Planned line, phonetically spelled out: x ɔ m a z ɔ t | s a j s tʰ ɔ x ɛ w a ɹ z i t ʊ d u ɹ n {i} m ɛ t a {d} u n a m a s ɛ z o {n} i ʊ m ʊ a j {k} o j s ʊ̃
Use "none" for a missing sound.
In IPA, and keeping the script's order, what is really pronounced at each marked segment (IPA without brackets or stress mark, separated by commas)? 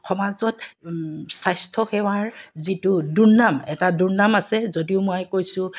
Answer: a, d, d, k